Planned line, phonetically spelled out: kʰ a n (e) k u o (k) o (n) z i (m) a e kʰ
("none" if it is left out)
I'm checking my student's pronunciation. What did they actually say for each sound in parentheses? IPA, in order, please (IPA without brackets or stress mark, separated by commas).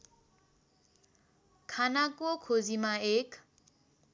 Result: a, kʰ, none, m